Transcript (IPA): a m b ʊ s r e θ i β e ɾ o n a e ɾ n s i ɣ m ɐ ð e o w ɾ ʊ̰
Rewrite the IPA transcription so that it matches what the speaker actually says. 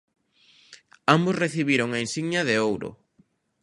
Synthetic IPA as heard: a m b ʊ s r e θ i β i ɾ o ŋ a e n s i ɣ ɲ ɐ ð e o w ɾ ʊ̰

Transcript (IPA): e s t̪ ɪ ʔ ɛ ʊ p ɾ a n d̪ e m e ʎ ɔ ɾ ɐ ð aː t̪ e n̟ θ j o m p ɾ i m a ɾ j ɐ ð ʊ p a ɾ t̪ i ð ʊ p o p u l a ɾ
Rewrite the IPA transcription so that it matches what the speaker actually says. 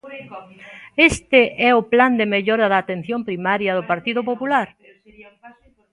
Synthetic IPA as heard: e s t̪ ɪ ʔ ɛ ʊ p l a n d̪ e m e ʎ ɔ ɾ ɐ ð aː t̪ e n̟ θ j o m p ɾ i m a ɾ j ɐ ð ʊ p a ɾ t̪ i ð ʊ p o p u l a ɾ

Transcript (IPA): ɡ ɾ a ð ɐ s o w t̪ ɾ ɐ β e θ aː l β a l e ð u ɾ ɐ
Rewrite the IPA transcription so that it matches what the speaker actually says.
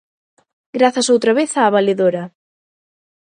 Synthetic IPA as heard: ɡ ɾ a θ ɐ s o w t̪ ɾ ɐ β e θ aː β a l e ð o ɾ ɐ

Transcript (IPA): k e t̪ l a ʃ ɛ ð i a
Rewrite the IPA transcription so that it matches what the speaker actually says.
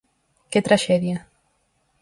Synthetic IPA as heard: k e t̪ ɾ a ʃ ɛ ð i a

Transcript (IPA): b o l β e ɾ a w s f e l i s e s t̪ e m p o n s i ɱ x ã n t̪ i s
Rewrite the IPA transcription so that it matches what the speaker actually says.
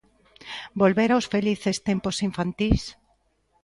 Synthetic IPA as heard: b o l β e ɾ a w s f e l i θ e s t̪ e m p o s i ɱ f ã n t̪ i s

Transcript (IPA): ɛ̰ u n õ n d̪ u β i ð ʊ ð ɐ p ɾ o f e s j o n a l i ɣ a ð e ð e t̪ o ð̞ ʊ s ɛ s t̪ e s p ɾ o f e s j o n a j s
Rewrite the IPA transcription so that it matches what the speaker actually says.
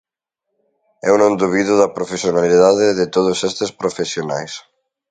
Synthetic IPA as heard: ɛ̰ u n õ n d̪ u β i ð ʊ ð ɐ p ɾ o f e s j o n a l i ð a ð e ð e t̪ o ð̞ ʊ s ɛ s t̪ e s p ɾ o f e s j o n a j s

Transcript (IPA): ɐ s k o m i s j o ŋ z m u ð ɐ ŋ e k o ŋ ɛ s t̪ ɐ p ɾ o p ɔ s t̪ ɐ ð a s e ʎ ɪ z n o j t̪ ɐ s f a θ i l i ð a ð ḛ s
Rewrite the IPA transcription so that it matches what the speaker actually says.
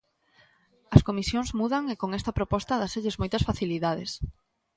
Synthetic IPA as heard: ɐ s k o m i s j o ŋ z m u ð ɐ ŋ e k o ŋ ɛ s t̪ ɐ p ɾ o p ɔ s t̪ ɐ ð a s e ʎ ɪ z m o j t̪ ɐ s f a θ i l i ð a ð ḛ s

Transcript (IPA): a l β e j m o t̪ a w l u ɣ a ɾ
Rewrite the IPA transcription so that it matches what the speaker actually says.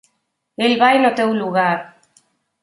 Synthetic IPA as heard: e l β a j n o t̪ e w l u ɣ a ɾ

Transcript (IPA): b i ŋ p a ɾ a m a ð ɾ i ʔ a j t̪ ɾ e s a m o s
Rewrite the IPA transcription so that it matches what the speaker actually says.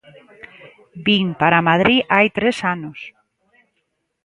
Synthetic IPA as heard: b i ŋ p a ɾ a m a ð ɾ i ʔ a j t̪ ɾ e s a n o s

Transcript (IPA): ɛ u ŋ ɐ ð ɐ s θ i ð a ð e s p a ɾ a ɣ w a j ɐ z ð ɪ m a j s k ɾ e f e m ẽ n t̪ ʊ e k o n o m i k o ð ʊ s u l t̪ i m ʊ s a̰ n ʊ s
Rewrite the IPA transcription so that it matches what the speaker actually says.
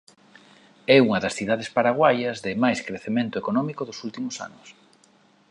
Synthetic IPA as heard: ɛ u ŋ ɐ ð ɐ s θ i ð a ð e s p a ɾ a ɣ w a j ɐ z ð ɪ m a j s k ɾ e θ e m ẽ n t̪ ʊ e k o n ɔ m i k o ð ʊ s u l t̪ i m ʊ s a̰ n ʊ s

